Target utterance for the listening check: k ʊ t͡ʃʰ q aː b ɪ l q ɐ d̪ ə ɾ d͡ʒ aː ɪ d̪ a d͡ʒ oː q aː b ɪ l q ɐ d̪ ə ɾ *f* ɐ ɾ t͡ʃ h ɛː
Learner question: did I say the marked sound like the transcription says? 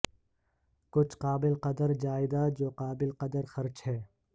no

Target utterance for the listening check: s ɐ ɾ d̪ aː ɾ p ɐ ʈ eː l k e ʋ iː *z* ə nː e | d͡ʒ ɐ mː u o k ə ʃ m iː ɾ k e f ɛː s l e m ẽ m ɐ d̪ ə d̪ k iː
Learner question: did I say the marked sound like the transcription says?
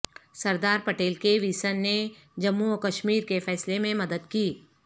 no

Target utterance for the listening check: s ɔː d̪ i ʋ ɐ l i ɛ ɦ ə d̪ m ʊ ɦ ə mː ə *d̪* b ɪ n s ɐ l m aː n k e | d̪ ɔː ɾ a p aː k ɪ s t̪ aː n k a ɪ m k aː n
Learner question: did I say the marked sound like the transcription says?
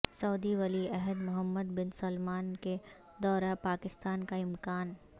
yes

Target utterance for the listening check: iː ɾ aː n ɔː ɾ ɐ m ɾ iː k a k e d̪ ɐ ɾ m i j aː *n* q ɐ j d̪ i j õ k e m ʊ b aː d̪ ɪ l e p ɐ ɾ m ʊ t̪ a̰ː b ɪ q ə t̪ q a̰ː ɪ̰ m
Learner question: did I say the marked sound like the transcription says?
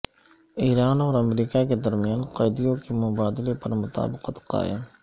yes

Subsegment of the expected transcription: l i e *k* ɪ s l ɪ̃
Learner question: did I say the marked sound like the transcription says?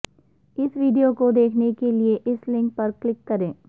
no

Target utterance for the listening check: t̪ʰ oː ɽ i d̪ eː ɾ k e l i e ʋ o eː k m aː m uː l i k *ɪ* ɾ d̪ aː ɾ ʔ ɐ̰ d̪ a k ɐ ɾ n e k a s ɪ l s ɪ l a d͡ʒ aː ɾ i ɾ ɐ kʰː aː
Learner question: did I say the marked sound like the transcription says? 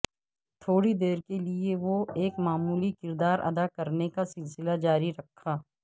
yes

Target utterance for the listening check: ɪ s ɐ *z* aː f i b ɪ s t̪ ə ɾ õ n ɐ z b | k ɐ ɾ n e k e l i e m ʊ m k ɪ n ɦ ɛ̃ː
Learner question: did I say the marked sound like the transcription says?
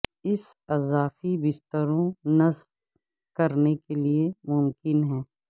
yes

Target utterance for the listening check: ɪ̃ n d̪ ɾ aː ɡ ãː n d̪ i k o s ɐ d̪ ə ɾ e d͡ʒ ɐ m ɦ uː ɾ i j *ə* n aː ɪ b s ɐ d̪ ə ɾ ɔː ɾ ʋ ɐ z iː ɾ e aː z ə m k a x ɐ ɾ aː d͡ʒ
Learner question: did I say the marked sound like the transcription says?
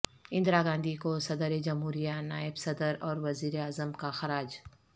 no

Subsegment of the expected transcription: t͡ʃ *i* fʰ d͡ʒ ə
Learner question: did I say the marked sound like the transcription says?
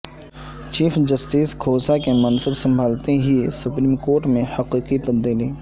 no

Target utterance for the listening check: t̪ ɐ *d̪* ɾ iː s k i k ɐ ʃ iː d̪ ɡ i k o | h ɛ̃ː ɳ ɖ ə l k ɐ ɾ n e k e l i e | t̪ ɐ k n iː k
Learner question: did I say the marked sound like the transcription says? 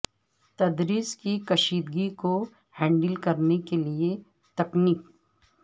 yes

